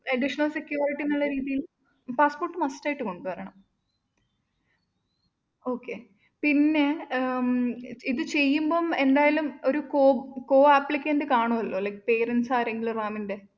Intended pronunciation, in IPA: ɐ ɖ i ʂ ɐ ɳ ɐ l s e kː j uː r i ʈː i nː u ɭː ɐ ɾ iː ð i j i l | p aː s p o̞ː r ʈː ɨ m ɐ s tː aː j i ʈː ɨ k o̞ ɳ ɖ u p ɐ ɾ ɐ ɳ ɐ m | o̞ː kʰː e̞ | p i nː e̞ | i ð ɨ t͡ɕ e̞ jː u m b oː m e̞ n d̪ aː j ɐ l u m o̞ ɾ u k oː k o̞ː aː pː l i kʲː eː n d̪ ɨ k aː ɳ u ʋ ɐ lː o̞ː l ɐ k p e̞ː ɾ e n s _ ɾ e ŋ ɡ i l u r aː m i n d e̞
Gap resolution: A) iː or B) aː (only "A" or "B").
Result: B